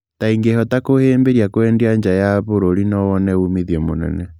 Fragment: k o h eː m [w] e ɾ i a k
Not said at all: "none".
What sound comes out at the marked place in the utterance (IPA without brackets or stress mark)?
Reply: b